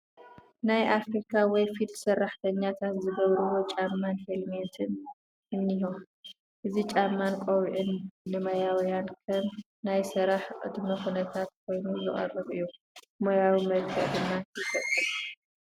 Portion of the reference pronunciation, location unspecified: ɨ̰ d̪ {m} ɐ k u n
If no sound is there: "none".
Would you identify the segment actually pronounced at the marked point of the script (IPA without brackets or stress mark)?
m